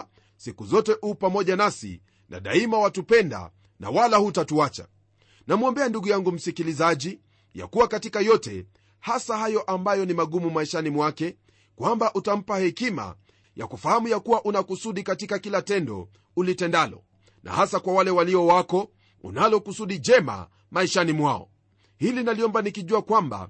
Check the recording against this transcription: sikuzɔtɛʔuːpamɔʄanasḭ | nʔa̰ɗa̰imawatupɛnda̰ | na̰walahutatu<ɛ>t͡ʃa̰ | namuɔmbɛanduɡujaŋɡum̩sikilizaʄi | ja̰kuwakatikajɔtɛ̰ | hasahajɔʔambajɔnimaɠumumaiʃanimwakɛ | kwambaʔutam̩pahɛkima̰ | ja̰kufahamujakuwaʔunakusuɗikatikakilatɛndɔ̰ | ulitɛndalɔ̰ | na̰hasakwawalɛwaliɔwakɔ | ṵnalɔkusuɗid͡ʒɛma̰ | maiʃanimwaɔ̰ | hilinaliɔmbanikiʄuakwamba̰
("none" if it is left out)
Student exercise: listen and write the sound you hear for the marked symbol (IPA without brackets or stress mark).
a